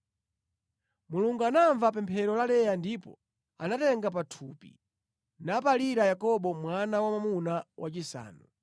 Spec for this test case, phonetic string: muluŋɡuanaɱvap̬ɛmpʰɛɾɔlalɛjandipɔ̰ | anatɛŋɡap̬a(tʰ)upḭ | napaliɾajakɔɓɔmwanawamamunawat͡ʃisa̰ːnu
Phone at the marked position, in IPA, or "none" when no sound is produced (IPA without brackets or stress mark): tʰ